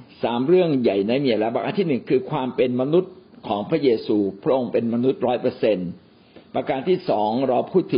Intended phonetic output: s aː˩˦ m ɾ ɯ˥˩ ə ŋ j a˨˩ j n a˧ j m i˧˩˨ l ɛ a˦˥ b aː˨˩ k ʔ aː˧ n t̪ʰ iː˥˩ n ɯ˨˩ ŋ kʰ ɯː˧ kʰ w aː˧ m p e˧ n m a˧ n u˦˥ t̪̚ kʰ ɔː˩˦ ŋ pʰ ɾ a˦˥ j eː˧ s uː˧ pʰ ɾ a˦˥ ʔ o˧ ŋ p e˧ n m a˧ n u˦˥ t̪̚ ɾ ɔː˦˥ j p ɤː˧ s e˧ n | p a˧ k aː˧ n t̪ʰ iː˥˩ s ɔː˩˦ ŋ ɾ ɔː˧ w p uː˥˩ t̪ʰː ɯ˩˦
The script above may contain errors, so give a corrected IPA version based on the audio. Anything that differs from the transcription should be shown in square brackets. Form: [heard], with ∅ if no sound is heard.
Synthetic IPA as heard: s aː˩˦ m ɾ ɯ˥˩ ə ŋ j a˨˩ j n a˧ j m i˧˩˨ l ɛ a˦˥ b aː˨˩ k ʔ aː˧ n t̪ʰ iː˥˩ n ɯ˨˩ ŋ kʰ ɯː˧ kʰ w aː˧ m p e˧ n m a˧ n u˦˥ t̪̚ kʰ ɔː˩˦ ŋ pʰ ɾ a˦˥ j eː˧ s uː˧ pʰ ɾ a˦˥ ʔ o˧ ŋ p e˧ n m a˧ n u˦˥ t̪̚ ɾ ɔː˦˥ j p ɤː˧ s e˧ n | p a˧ k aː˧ n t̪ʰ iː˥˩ s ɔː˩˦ ŋ ɾ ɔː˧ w [pʰ] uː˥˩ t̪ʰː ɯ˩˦